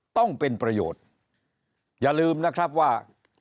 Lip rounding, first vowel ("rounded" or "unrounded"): rounded